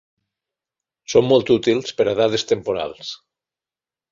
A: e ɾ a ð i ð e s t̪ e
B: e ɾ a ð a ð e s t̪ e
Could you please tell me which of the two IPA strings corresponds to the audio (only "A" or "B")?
B